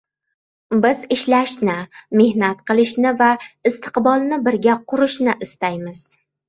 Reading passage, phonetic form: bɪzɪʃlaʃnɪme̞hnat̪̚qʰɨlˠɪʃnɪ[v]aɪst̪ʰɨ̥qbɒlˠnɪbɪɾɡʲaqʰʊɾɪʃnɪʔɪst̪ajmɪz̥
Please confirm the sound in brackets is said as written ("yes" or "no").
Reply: yes